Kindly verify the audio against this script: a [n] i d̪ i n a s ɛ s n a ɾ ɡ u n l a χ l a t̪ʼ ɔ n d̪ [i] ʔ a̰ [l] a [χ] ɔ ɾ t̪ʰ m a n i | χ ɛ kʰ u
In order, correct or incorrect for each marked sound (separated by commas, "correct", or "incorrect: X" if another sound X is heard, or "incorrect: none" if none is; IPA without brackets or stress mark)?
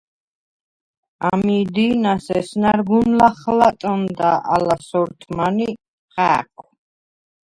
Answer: incorrect: m, incorrect: a, correct, incorrect: s